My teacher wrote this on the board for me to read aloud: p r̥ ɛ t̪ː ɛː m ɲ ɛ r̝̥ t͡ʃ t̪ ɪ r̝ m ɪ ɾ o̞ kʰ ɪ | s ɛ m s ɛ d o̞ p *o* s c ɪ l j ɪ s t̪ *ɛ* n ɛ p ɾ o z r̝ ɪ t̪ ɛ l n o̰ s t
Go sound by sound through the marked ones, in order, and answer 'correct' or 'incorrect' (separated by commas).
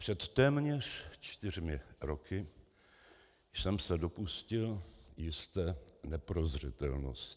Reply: incorrect, incorrect